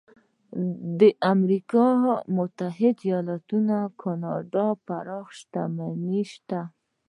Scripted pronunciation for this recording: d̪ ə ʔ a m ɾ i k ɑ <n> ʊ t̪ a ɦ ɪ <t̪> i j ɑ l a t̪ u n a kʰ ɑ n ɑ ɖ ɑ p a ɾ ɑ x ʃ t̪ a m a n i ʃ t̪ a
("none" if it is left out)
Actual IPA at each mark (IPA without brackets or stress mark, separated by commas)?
m, d̪